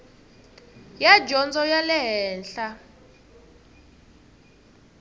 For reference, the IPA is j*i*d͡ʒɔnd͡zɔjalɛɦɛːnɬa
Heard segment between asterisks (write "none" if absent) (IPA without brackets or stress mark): a